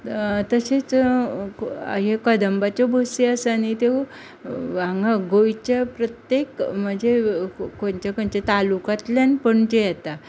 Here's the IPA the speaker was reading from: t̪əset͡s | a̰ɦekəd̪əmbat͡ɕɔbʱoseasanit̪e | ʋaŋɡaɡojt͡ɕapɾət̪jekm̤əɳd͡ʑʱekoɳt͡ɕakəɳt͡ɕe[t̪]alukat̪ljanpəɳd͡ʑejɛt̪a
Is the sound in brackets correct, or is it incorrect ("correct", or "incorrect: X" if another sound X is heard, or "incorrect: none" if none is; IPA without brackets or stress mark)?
correct